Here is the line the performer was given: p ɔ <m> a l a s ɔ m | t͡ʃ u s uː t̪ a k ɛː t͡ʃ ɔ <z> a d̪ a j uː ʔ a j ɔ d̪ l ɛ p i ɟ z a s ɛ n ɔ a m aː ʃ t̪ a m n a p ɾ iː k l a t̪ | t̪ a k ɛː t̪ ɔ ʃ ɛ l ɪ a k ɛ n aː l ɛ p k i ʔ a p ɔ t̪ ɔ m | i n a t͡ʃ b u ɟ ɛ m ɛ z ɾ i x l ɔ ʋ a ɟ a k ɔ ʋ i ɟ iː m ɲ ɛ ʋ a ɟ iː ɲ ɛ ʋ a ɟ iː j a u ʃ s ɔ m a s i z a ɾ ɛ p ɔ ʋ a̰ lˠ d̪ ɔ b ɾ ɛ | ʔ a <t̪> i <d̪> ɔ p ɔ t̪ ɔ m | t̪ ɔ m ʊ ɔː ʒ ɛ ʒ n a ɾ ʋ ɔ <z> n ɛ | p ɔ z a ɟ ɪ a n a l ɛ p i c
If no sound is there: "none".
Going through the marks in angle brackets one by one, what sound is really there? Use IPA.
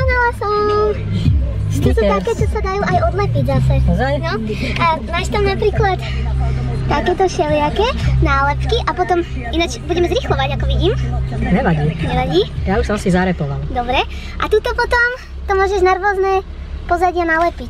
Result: n, s, t̪, t̪, z

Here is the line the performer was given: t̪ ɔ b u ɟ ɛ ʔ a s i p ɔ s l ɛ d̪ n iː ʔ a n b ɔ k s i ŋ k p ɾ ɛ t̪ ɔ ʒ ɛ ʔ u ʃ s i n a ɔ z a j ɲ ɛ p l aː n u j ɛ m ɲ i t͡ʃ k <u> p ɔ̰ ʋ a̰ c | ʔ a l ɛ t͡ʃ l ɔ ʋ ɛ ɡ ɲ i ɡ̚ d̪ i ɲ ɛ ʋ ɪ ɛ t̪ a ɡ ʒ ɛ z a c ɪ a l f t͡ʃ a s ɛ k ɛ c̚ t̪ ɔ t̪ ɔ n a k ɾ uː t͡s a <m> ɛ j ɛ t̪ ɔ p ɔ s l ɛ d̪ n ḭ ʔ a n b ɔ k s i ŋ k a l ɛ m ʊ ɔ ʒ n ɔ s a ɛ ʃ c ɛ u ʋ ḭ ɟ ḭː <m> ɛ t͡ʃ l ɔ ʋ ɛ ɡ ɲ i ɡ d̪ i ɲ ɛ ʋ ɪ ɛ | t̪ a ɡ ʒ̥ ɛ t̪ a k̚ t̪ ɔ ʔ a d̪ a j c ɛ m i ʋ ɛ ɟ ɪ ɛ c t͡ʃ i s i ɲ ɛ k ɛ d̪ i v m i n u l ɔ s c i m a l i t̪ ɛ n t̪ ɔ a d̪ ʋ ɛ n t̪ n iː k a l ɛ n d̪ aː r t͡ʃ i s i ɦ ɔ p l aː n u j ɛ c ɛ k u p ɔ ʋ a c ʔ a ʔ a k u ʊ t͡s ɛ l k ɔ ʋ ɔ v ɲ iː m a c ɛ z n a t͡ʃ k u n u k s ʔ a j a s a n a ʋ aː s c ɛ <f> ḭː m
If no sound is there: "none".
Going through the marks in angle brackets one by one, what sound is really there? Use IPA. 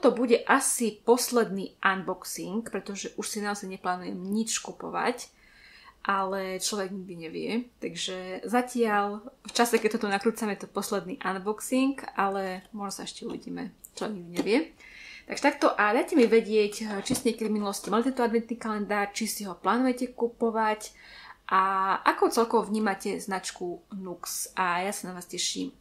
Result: u, m, m, ʃ

